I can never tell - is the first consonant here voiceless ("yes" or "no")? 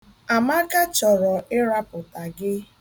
no